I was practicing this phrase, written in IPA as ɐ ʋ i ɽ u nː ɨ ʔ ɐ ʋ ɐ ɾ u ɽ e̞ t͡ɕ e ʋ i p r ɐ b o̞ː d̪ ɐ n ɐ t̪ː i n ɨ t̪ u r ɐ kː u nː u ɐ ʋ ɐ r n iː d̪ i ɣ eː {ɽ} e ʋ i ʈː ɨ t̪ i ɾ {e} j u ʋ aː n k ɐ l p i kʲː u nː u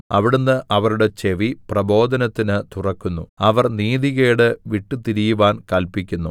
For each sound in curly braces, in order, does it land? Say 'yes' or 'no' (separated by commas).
yes, no